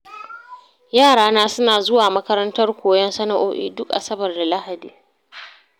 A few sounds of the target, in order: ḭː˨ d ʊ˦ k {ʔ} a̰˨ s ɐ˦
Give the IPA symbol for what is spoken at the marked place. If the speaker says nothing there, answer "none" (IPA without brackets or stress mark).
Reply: ʔ